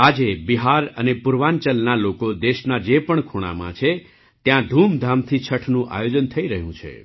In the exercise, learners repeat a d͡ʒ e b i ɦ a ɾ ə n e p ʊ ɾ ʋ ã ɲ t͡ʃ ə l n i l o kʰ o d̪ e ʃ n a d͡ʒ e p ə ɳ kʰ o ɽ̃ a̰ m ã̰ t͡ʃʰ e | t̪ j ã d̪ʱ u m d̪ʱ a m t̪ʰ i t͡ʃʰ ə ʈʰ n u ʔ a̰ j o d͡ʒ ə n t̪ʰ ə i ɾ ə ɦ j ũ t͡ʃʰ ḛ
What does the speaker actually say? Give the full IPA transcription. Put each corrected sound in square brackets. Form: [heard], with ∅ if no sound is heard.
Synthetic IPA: a d͡ʒ e b i ɦ a ɾ ə n e p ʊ ɾ ʋ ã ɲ t͡ʃ ə l n [a] l o [k] o d̪ e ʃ n a d͡ʒ e p ə ɳ kʰ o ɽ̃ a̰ m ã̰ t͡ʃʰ e | t̪ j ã d̪ʱ u m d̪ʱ a m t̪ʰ i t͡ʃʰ ə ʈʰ n [ũ] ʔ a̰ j o d͡ʒ ə n t̪ʰ ə i ɾ ə ɦ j ũ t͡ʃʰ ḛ

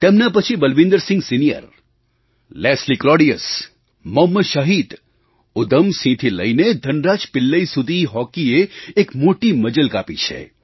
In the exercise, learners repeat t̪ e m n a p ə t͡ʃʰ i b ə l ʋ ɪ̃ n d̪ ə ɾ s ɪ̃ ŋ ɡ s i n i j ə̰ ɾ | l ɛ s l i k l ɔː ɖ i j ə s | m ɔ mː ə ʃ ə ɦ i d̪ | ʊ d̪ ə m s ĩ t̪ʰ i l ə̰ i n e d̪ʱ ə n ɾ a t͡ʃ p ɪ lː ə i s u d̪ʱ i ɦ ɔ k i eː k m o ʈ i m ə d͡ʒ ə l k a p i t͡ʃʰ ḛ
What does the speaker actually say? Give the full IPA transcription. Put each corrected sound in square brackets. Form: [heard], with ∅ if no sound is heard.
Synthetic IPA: t̪ e m n a p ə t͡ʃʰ i b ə l ʋ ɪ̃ n d̪ ə ɾ s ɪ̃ ŋ ɡ s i n i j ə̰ ɾ | l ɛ s l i k l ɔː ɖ i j ə s | m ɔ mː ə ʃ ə ɦ i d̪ | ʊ d̪ ə m s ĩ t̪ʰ i l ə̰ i n e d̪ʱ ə n ɾ a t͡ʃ p ɪ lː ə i s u d̪ʱ i ɦ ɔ k i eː k m o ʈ i m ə d͡ʒ ə l k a p i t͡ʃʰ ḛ

